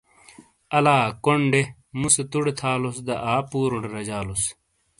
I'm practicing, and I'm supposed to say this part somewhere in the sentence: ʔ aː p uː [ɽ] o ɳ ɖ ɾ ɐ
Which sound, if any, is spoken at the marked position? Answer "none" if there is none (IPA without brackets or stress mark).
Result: ɾ